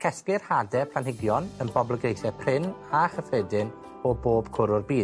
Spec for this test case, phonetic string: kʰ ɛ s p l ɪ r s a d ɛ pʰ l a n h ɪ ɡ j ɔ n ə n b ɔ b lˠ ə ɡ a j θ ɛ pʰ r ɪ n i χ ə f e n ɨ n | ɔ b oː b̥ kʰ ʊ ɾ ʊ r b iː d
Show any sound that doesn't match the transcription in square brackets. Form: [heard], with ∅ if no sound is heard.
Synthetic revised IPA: kʰ ɛ s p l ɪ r [h] a d ɛ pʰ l a n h ɪ ɡ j ɔ n ə n b ɔ b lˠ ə ɡ [e] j θ ɛ pʰ r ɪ n [a] χ ə f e [d] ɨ n | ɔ b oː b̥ kʰ ʊ ɾ ʊ r b iː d